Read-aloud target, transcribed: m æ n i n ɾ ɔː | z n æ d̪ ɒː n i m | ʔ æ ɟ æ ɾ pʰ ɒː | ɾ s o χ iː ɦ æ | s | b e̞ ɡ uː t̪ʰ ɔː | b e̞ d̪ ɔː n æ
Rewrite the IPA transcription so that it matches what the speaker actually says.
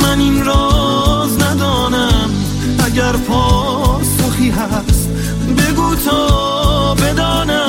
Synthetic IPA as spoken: m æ n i n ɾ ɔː | z n æ d̪ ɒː n æ m | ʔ æ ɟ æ ɾ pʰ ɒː | ɾ s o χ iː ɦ æ | s | b e̞ ɡ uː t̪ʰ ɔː | b e̞ d̪ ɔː n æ